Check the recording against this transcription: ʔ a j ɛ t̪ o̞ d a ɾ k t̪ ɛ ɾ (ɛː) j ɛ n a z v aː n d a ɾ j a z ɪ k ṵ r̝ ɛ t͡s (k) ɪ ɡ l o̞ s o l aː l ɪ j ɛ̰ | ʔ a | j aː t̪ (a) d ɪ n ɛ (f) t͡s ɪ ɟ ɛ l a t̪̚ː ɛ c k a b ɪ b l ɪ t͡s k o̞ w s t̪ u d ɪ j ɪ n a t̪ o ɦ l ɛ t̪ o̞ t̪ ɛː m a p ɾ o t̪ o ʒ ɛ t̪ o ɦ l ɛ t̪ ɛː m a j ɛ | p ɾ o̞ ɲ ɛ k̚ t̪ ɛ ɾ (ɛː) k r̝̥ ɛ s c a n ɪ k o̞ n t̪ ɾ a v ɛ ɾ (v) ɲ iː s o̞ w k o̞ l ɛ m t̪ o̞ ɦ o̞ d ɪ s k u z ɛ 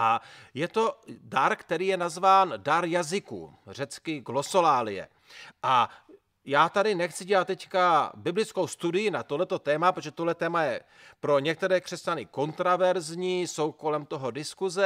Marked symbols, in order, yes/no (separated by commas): no, yes, yes, no, yes, no